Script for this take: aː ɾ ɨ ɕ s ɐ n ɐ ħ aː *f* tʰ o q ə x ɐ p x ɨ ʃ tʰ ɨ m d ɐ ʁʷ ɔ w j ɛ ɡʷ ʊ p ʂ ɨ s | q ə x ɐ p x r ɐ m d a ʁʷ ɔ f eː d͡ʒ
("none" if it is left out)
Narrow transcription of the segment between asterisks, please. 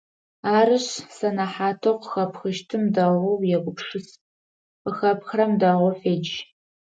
none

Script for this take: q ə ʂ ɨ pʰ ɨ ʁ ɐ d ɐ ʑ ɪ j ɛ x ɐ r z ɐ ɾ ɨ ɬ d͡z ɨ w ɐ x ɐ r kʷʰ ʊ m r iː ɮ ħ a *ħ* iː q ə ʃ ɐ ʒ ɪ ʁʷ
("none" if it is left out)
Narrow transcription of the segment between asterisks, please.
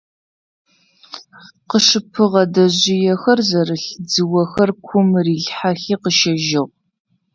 x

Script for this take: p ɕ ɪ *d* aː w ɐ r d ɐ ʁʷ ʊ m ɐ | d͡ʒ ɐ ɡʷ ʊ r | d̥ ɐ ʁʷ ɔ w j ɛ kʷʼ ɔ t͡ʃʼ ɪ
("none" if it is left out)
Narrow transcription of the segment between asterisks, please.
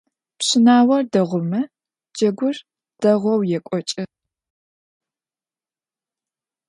n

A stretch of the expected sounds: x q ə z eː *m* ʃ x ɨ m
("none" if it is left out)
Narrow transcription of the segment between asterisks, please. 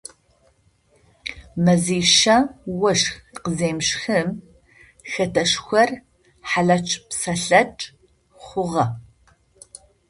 m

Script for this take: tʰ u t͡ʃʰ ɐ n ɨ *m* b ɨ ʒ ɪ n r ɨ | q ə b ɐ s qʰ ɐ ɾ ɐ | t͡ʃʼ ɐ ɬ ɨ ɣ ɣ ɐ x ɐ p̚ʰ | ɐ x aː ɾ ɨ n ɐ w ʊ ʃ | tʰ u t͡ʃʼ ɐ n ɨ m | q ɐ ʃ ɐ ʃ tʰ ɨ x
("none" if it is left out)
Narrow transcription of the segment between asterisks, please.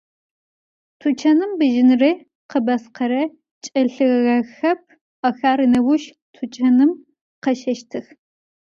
m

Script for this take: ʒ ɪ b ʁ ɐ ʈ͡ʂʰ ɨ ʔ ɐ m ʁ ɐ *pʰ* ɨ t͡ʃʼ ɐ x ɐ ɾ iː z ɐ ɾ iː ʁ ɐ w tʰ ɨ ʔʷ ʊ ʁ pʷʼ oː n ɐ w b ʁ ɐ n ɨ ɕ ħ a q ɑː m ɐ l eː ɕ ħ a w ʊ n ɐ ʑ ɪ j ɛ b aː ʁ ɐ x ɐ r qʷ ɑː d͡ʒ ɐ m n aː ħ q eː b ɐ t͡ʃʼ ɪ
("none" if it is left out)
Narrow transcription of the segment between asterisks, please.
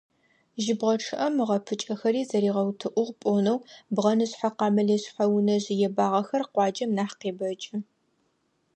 pʰ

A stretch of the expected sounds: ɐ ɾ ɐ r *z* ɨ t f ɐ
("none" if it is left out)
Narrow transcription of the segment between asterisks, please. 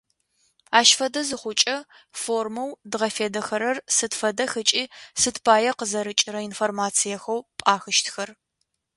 s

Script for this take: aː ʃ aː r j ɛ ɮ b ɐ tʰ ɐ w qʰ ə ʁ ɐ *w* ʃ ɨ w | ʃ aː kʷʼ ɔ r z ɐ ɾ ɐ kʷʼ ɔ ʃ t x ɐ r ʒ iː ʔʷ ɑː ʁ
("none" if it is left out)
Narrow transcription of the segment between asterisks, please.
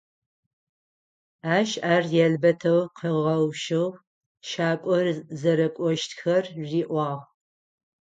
w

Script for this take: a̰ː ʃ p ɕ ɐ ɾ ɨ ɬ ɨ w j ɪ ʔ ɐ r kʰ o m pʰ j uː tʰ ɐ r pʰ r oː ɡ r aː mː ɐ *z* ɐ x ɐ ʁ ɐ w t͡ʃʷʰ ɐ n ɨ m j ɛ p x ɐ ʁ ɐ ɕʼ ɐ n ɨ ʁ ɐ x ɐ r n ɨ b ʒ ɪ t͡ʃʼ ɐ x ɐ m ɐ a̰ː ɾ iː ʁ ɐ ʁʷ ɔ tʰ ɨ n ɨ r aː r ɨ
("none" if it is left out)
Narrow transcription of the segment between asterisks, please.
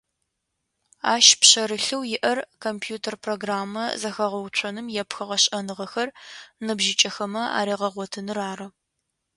z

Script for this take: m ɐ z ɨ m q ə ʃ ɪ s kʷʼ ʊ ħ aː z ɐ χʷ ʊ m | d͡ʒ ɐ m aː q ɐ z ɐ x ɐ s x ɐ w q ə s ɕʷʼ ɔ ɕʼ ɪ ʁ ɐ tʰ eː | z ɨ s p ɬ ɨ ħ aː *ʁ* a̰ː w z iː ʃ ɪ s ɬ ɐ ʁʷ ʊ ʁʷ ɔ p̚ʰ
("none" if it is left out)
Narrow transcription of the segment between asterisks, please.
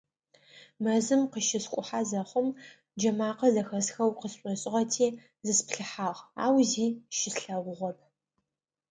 ʁ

